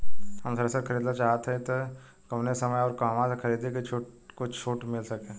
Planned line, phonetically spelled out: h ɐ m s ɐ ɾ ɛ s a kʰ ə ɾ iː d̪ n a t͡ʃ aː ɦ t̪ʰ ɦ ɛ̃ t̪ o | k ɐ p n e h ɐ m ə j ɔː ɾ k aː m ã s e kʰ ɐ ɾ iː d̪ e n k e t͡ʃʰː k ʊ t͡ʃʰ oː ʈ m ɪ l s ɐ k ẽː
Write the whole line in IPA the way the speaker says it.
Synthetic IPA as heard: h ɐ m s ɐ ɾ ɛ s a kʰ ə ɾ iː d̪ n a t͡ʃ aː ɦ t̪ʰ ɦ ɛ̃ t̪ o | k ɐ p n e s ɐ m ə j ɔː ɾ k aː m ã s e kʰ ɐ ɾ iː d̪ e k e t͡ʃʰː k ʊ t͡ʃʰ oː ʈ m ɪ l s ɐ k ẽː